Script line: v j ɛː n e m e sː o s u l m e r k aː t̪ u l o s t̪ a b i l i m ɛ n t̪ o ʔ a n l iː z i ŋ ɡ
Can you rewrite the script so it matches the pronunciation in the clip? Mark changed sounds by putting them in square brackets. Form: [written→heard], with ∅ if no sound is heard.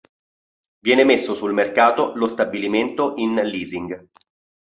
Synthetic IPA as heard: v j ɛː n e m e sː o s u l m e r k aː t̪ [u→o] l o s t̪ a b i l i m [ɛ→e] n t̪ o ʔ [a→i] n l iː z i ŋ ɡ